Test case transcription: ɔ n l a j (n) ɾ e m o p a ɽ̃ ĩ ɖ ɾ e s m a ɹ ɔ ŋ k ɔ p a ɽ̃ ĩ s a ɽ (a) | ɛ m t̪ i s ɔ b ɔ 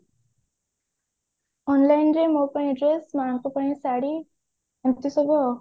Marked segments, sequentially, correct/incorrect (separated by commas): correct, incorrect